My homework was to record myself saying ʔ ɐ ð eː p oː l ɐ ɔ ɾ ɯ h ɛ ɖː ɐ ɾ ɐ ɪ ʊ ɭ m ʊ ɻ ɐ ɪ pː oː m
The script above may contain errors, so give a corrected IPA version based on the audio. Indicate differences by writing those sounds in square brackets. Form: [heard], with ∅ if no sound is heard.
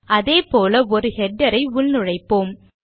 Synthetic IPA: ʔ ɐ ð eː p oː l ɐ ɔ ɾ ɯ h ɛ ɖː ɐ ɾ ɐ ɪ ʊ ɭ [n] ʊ ɻ ɐ ɪ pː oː m